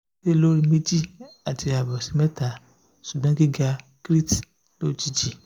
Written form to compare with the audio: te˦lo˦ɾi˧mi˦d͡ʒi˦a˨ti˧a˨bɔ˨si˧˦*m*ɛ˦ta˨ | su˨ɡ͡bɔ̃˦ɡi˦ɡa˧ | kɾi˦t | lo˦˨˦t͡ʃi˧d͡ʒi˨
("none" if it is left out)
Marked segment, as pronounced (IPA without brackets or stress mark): m